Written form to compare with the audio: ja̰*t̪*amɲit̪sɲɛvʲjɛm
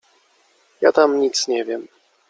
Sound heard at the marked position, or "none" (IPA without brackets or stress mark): t̪